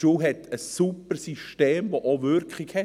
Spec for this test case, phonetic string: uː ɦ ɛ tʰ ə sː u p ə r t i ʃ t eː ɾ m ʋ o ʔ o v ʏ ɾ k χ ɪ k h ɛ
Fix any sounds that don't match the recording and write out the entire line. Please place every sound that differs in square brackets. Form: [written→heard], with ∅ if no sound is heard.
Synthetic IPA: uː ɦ ɛ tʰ ə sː u p ə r [t→s] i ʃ t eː [ɾ→∅] m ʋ o ʔ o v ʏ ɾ k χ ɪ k h ɛ